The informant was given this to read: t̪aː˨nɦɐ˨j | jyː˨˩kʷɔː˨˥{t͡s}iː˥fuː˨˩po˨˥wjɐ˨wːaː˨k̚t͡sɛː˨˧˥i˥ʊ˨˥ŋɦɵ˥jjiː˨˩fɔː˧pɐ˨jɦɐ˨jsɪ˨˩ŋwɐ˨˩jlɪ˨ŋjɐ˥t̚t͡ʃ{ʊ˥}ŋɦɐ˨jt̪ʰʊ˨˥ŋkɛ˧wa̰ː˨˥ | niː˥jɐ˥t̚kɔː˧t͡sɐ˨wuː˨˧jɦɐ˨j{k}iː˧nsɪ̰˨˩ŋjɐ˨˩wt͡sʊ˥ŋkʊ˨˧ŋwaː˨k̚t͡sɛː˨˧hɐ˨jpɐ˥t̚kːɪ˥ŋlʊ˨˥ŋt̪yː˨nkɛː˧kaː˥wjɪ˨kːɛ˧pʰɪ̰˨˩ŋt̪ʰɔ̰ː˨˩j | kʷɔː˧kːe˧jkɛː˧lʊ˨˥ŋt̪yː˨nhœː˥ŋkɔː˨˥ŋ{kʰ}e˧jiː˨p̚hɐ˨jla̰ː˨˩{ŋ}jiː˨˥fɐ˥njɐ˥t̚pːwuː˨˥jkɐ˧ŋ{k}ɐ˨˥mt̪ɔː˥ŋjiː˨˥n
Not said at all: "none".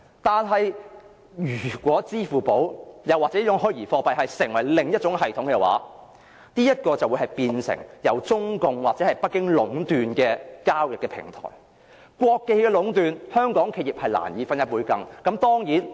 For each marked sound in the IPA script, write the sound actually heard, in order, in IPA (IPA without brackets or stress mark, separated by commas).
t͡s, ʊ˨˥, p, kʰ, n, k